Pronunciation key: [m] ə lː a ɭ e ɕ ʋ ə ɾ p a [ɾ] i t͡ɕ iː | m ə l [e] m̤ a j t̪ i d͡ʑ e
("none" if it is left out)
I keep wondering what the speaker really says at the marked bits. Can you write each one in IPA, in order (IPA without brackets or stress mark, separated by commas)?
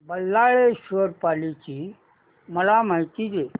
b, l, a